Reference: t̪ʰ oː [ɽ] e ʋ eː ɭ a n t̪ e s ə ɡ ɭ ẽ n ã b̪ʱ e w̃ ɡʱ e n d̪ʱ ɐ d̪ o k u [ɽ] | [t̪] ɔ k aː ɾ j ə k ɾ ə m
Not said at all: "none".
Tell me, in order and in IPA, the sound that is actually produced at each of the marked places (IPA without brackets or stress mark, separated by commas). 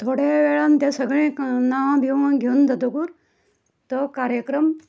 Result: ɽ, ɾ, t̪